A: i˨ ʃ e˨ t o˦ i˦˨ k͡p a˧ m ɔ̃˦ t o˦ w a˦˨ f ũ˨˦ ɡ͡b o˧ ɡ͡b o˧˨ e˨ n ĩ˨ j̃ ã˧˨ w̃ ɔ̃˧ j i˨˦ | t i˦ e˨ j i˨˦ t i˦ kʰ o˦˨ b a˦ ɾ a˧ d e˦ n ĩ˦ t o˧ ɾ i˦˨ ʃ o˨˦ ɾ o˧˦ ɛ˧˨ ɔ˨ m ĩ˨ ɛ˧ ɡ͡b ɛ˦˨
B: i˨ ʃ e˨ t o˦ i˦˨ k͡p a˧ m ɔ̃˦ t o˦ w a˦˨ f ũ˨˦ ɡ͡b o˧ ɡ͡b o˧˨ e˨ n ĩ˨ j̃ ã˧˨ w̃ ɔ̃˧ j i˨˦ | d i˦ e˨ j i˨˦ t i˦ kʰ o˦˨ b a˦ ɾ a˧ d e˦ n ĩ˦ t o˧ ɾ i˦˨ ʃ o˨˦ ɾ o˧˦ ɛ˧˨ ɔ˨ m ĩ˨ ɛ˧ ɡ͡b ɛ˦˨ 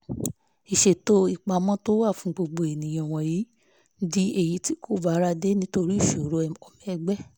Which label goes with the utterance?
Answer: B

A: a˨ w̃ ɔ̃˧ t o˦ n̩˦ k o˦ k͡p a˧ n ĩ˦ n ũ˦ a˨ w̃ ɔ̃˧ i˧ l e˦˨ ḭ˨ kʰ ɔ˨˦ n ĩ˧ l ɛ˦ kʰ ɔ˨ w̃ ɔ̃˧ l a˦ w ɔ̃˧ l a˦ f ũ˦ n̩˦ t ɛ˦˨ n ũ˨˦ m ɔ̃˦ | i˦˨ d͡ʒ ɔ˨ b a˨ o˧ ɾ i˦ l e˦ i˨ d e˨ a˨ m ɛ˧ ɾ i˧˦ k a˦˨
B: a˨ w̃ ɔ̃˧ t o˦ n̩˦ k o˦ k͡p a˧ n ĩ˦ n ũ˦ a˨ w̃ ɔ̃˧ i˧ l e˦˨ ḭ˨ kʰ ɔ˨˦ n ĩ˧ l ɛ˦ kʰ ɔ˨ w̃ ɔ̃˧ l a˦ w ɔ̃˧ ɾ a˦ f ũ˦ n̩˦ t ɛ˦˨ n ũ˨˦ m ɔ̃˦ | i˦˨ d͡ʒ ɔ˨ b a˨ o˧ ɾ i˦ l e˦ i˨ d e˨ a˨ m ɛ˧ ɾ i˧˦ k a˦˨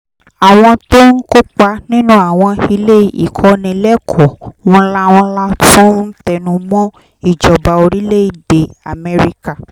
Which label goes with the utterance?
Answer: A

